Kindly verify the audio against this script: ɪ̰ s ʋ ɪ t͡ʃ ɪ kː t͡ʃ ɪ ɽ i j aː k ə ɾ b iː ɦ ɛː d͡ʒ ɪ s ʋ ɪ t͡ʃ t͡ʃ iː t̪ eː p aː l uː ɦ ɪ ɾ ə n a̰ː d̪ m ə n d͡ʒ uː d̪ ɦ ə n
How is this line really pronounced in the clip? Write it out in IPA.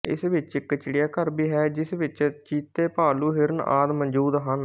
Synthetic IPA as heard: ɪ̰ s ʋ ɪ t͡ʃ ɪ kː t͡ʃ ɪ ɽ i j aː k ə ɾ b iː ɦ ɛː d͡ʒ ɪ s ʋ ɪ t͡ʃ t͡ʃ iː t̪ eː p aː l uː ɦ ɪ ɾ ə n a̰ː d̪ m ə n d͡ʒ uː d̪ ɦ ə n